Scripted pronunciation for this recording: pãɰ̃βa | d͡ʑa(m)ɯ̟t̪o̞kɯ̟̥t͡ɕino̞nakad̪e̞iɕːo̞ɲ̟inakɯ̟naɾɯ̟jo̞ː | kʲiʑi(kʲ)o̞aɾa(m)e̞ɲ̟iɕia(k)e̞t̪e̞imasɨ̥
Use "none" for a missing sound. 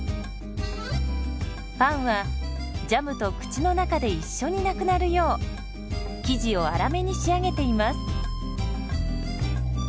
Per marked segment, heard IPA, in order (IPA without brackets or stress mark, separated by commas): m, none, m, ɡ